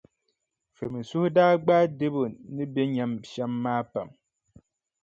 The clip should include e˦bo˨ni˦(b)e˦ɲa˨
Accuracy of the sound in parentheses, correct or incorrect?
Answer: correct